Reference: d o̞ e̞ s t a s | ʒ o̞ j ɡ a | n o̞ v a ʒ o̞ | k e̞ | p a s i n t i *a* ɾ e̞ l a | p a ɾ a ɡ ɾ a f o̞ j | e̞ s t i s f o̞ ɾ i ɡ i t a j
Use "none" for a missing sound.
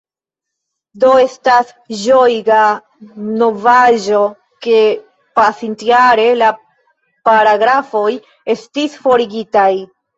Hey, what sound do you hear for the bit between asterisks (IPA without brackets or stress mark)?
a